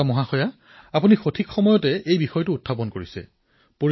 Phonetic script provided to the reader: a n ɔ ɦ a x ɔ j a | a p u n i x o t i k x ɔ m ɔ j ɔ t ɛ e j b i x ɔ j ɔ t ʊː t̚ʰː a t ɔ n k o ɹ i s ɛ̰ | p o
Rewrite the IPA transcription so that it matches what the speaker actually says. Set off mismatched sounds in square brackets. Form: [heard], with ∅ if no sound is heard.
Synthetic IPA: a [m] ɔ ɦ a x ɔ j a | a p u n i x o [tʰ] i k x ɔ m ɔ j ɔ t ɛ e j b i x ɔ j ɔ t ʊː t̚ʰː a [p] ɔ n k o ɹ i s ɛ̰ | p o